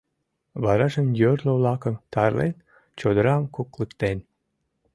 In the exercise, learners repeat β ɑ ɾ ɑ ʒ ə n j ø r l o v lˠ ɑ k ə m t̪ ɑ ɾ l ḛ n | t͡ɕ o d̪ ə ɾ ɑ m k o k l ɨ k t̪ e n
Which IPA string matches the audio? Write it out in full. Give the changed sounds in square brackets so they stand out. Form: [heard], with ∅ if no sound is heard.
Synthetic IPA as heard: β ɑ ɾ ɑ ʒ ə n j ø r l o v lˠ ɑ k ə m t̪ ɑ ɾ l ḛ n | t͡ɕ o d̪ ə ɾ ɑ m k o k l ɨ k t̪ e n